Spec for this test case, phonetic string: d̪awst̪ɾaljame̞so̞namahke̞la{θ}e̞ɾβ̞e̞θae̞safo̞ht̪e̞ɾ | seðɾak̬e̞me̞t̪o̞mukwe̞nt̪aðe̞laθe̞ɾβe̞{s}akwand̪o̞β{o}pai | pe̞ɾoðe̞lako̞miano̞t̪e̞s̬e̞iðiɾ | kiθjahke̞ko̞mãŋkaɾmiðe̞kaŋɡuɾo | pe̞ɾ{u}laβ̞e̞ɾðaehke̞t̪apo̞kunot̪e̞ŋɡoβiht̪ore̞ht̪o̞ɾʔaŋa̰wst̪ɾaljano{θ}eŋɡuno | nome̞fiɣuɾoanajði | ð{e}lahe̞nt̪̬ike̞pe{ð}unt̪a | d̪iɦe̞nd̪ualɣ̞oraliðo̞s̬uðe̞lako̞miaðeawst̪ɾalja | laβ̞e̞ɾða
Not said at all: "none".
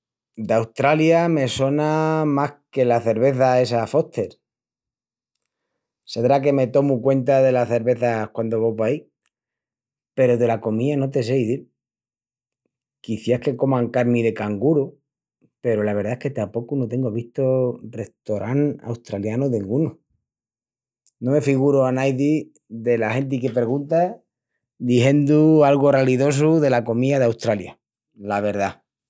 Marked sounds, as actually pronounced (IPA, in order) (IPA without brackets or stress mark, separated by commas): θ, θ, o, o, ð, e, ɣ